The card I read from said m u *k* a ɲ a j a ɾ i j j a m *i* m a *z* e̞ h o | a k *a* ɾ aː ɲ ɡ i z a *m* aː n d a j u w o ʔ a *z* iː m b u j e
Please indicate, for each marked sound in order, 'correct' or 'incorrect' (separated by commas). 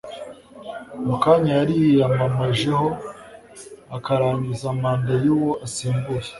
correct, incorrect, incorrect, correct, correct, incorrect